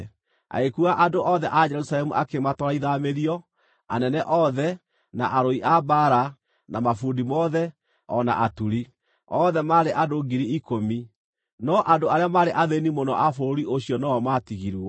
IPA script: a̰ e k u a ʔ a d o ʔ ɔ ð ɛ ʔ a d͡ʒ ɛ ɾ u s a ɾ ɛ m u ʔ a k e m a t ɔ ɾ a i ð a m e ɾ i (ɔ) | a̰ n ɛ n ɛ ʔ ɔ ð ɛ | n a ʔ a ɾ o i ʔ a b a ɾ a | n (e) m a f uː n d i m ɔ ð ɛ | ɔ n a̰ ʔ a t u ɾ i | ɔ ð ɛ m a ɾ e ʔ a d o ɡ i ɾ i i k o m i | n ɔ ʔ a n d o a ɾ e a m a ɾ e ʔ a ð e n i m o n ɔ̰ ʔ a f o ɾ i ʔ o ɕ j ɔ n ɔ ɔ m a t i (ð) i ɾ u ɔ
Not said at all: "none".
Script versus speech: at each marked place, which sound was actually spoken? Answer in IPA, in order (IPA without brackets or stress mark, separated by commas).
ɔ, a, ɣ